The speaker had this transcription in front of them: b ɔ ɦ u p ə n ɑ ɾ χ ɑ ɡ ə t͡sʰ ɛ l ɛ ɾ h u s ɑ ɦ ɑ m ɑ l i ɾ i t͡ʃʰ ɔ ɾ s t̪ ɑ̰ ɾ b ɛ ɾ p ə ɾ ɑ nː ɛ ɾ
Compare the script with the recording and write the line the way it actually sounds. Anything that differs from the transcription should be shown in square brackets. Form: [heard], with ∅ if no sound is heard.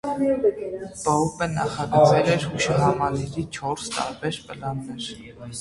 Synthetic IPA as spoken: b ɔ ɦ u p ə n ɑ [∅] χ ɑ ɡ ə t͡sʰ ɛ l ɛ ɾ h u [ʃ] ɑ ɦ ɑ m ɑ l i ɾ i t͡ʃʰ ɔ ɾ s t̪ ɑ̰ ɾ b ɛ ɾ p ə [l] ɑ nː ɛ ɾ